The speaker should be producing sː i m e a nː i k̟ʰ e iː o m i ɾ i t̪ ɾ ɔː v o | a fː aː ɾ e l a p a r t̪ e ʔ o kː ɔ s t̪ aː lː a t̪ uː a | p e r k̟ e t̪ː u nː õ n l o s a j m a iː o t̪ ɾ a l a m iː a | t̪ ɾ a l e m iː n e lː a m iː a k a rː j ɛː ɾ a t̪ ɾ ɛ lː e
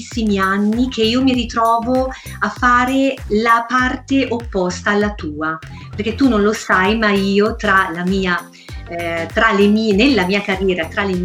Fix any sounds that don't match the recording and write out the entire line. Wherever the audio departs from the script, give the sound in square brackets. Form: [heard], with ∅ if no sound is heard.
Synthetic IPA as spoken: sː i m [i] a nː i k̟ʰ e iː o m i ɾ i t̪ ɾ ɔː v o | a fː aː ɾ e l a p a r t̪ e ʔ o [pː] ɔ s t̪ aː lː a t̪ uː a | p e r k̟ e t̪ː u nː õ n l o s a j m a iː o t̪ ɾ a l a m iː a | t̪ ɾ a l e m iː n e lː a m iː a k a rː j ɛː ɾ a t̪ ɾ [a] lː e